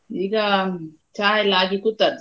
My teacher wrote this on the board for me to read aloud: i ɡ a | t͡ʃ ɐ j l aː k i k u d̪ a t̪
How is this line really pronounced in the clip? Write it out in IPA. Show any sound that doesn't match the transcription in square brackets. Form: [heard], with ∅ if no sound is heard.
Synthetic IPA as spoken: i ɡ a | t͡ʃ [a] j l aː [ɡ] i k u [t̪] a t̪